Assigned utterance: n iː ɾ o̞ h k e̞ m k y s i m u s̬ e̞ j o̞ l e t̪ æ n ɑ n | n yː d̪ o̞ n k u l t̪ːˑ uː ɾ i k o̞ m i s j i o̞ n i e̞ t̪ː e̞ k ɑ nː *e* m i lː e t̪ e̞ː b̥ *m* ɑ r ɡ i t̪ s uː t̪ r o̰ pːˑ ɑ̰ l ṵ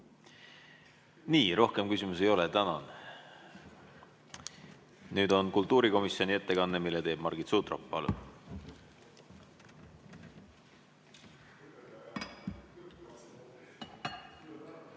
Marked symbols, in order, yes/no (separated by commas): yes, yes